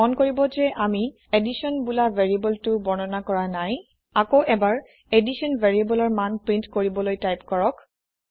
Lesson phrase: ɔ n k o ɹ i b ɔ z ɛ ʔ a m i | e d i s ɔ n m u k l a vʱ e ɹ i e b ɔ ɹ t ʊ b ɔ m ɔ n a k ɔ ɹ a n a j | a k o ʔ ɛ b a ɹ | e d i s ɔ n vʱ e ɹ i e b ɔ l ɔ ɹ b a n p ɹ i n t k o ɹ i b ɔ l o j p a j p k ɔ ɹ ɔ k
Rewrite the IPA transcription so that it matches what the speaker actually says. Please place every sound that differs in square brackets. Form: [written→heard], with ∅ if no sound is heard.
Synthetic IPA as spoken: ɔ n k o ɹ i b ɔ z ɛ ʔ a m i | e d i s ɔ n [m→b] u [k→∅] l a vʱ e ɹ i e b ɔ [ɹ→l] t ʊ b ɔ [m→n] ɔ n a k ɔ ɹ a n a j | a k o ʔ ɛ b a ɹ | e d i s ɔ n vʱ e ɹ i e b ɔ l ɔ ɹ [b→m] a n p ɹ i n t k o ɹ i b ɔ l o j [p→t] a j p k ɔ ɹ ɔ k

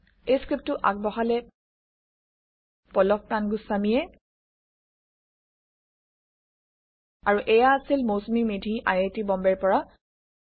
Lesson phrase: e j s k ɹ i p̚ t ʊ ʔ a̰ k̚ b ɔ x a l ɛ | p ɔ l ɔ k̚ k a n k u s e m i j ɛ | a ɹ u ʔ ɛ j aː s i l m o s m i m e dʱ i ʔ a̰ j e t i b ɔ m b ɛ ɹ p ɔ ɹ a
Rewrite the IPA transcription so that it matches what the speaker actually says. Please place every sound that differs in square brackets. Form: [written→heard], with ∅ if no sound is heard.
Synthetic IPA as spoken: e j s k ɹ i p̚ t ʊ ʔ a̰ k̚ b ɔ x a l ɛ | p ɔ l ɔ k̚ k a n [k→ɡ] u s [e→a] m i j ɛ | a ɹ u ʔ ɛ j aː s i l m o s m i m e dʱ i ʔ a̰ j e t i b ɔ m b ɛ ɹ p ɔ ɹ a

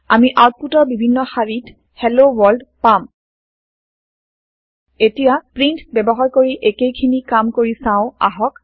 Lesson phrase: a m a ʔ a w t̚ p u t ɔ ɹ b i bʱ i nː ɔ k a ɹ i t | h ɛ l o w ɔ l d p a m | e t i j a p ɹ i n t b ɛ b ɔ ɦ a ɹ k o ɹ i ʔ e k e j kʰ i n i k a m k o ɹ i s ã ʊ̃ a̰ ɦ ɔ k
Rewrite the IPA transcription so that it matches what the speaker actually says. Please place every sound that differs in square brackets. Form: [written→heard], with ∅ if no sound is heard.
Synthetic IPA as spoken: a m [a→i] ʔ a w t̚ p u t ɔ ɹ b i bʱ i nː ɔ [k→x] a ɹ i t | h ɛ l o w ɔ l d p a m | e t i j a p ɹ i n t b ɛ b ɔ ɦ a ɹ k o ɹ i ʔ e k e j kʰ i n i k a m k o ɹ i s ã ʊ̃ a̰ ɦ ɔ k

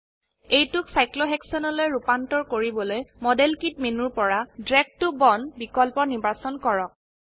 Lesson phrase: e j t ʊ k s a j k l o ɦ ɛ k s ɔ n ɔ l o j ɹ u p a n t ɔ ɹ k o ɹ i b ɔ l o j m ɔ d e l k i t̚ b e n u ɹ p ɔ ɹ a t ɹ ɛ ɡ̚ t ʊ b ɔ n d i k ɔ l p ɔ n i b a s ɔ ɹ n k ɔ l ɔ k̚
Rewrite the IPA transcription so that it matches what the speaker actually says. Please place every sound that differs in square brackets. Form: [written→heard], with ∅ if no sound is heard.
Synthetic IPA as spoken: e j t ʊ k s a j k l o ɦ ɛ k s ɔ n ɔ l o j ɹ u p a n t ɔ ɹ k o ɹ i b ɔ l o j m ɔ d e l k i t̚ [b→m] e n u ɹ p ɔ ɹ a [t→d] ɹ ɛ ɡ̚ t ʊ b ɔ n [d→b] i k ɔ l p ɔ n i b a s ɔ [ɹ→∅] n k ɔ [l→ɹ] ɔ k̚

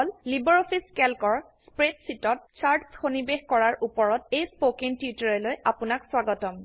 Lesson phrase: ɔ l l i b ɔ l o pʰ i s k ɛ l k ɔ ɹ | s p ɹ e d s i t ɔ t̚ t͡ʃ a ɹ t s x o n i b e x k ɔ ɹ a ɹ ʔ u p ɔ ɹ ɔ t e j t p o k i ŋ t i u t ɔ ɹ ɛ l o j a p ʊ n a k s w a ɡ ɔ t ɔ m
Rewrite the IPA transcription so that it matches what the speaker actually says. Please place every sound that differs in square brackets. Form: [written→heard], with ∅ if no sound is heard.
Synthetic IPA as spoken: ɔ l l i b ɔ [l→ɹ] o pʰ i s k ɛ l k ɔ ɹ | s p ɹ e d s i t ɔ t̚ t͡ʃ a ɹ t s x o n i b e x k ɔ ɹ a ɹ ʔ u p ɔ ɹ ɔ t e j [t→s] p o k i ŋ t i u t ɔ ɹ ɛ l o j a p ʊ n a k s w a ɡ ɔ t ɔ m

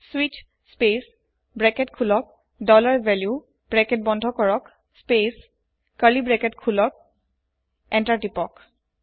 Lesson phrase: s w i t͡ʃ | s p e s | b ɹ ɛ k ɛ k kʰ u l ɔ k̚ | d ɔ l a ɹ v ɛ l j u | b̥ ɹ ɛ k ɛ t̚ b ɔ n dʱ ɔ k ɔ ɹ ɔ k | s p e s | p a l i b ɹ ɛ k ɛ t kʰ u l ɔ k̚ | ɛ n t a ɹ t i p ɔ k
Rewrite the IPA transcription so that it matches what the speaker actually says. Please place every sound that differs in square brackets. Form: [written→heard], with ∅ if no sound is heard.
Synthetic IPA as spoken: s w i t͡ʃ | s p e s | b ɹ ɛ k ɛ [k→t] kʰ u l ɔ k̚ | d ɔ l a ɹ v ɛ l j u | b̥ ɹ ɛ k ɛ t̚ b ɔ n dʱ ɔ k ɔ ɹ ɔ k | s p e s | [p→k] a l i b ɹ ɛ k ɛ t kʰ u l ɔ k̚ | ɛ n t a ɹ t i p ɔ k

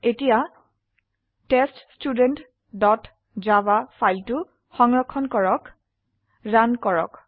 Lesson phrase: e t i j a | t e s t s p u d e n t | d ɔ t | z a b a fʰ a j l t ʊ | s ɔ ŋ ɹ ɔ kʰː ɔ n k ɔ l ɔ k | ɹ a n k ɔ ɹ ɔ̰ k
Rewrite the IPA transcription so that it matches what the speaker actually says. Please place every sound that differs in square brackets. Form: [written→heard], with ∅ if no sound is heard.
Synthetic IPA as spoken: e t i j a | t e s t s [p→t] u d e n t | d ɔ t | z a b a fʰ a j l t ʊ | [s→x] ɔ ŋ ɹ ɔ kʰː ɔ n k ɔ [l→ɹ] ɔ k | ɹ a n k ɔ ɹ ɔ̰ k

